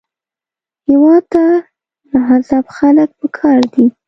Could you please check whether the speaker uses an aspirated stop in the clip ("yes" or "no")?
yes